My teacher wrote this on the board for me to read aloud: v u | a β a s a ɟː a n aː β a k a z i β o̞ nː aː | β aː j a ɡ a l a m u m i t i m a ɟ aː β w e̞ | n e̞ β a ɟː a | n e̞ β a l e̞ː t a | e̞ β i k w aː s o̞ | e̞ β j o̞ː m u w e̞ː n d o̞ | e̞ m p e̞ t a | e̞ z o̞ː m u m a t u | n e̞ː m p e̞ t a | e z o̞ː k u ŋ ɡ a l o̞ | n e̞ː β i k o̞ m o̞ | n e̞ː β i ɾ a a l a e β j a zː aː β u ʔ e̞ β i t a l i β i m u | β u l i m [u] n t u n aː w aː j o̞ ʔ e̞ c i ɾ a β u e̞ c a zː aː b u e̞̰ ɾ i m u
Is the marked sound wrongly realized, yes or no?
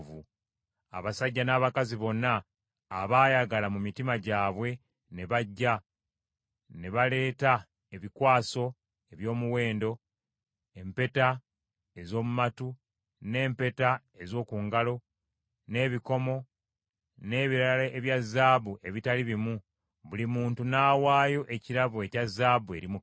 yes